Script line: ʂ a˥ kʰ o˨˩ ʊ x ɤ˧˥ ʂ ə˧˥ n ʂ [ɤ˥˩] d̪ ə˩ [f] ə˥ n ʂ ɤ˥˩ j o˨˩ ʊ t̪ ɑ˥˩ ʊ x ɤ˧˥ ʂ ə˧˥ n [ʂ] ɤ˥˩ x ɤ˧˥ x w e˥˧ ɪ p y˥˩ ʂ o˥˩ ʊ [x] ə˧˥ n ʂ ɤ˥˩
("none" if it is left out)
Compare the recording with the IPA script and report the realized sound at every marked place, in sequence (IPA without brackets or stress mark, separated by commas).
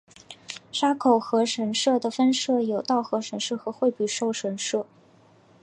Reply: ɤ˥˩, f, ʂ, ʂ